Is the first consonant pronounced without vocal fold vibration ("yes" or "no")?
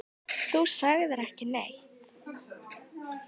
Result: yes